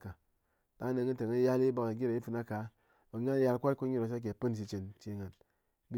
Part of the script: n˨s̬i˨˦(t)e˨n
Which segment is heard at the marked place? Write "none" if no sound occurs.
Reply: t͡ʃ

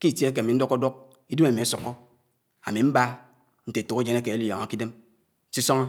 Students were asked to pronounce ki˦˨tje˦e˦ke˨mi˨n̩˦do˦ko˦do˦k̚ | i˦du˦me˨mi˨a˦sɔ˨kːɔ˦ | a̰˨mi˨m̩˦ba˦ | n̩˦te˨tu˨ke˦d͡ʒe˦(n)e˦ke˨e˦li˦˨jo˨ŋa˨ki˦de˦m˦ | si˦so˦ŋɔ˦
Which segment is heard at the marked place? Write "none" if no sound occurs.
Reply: n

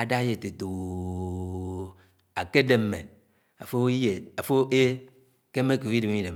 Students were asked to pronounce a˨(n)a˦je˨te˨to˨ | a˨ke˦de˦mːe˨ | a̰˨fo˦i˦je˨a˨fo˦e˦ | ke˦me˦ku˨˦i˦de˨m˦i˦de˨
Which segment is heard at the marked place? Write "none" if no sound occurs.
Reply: d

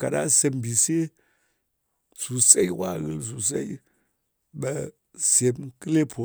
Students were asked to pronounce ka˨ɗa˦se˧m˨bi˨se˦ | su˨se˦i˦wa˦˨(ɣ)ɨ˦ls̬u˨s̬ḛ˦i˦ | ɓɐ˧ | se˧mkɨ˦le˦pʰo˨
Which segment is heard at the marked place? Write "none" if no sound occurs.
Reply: ɣ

